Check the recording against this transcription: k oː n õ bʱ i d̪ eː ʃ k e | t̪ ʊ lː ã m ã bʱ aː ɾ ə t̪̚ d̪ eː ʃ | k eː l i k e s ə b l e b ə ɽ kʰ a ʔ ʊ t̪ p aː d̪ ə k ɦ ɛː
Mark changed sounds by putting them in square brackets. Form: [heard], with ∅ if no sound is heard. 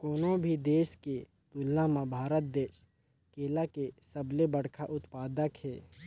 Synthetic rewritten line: k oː n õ bʱ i d̪ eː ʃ k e | t̪ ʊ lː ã m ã bʱ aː ɾ ə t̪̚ d̪ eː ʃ | k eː l [a] k e s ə b l e b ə ɽ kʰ a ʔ ʊ t̪ p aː d̪ ə k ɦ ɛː